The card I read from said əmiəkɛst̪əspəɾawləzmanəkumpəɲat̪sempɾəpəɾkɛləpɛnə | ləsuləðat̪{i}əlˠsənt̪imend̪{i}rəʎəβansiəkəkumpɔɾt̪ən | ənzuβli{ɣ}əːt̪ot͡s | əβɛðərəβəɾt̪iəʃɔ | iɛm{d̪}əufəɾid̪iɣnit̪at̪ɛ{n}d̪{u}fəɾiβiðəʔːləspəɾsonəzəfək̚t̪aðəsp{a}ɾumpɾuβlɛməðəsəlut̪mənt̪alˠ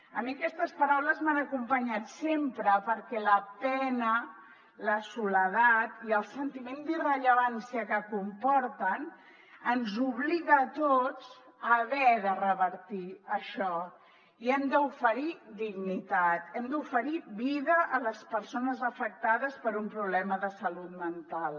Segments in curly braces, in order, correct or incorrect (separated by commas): correct, correct, correct, correct, incorrect, correct, incorrect